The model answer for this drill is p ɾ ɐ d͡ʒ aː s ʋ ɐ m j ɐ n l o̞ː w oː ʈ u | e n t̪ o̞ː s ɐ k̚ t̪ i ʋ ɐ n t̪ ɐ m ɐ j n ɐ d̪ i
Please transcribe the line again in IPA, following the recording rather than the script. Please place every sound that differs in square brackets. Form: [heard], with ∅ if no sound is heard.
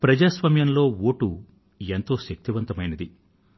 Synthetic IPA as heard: p ɾ ɐ d͡ʒ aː s ʋ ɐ m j ɐ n l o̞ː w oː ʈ u | e n t̪ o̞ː [ʃ] ɐ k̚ t̪ i ʋ ɐ n t̪ ɐ m ɐ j n ɐ d̪ i